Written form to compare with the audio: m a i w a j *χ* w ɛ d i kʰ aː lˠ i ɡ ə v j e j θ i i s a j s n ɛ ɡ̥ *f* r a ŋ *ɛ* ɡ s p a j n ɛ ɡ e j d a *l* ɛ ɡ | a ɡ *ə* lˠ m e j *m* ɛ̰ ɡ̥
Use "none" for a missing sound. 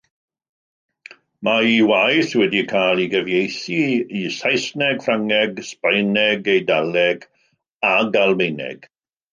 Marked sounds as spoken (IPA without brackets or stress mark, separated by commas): θ, f, ɛ, l, a, n